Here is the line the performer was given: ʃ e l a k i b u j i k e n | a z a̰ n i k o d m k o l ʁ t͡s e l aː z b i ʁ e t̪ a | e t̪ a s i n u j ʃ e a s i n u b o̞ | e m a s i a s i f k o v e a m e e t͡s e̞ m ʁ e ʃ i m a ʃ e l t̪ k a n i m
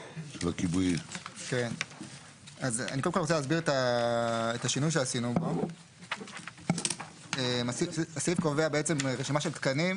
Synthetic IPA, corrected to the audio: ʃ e l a k i b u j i k e n | a z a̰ n i k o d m k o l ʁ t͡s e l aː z b i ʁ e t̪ a | e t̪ a ʃ i n u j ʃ e a s i n u b o̞ | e m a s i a s i f k o v e a b e e t͡s e̞ m ʁ e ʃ i m a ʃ e l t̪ k a n i m